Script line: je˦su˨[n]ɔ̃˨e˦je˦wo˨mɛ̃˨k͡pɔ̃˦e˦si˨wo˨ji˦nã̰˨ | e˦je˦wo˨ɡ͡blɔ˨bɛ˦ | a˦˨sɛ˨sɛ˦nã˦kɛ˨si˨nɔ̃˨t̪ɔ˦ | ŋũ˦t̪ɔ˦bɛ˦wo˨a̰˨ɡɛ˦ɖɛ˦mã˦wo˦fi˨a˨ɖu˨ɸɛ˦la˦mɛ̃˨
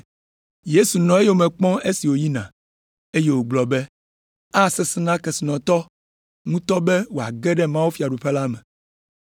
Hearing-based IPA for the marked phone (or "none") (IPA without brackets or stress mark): n